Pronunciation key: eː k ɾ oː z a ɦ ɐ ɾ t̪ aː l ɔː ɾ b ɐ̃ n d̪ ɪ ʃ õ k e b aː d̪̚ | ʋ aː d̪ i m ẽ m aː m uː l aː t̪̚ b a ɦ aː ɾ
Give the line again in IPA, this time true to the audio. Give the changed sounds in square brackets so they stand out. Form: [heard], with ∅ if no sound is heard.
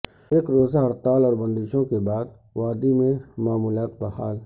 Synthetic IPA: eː k ɾ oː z a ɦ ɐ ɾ t̪ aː l ɔː ɾ b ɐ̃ n d̪ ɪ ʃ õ k e b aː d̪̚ | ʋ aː d̪ i m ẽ m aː m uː l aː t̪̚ b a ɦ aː [l]